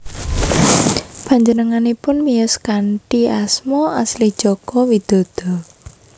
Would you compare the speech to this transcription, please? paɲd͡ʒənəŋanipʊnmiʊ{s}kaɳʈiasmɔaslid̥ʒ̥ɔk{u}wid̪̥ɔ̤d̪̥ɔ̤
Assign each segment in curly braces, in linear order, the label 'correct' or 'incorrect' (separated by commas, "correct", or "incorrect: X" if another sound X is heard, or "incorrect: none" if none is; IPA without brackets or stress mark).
correct, incorrect: ɔ